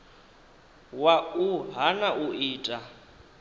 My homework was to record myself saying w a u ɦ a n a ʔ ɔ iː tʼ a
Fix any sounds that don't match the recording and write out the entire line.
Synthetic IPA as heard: w a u ɦ a n a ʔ u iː tʼ a